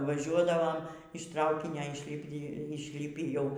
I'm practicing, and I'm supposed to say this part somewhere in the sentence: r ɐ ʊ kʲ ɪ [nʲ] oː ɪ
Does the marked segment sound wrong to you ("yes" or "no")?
no